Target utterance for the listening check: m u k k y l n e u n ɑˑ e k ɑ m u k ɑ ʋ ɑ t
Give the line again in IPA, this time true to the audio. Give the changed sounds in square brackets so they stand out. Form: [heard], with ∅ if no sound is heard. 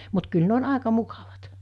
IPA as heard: m u [t] k y l n e [o] n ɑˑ e k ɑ m u k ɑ ʋ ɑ t